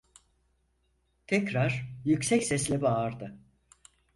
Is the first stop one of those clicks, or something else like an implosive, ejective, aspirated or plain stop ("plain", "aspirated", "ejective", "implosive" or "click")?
aspirated